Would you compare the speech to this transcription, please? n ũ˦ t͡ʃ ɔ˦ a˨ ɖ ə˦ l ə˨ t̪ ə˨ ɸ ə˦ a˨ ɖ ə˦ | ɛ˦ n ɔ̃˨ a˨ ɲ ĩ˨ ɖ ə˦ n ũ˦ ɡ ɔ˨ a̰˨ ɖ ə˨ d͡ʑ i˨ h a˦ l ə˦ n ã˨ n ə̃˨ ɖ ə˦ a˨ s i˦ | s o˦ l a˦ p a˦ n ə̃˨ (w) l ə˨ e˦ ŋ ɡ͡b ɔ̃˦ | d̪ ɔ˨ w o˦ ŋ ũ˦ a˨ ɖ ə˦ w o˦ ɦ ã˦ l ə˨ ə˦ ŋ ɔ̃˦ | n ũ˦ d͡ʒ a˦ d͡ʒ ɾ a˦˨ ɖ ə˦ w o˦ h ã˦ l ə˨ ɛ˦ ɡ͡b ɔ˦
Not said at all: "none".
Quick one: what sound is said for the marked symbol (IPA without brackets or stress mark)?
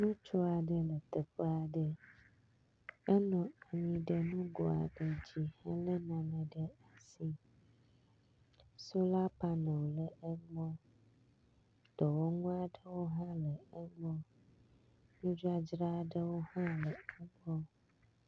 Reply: w